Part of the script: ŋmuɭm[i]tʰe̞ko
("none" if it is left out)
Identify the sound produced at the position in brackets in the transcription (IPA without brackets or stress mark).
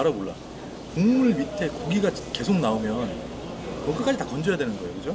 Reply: i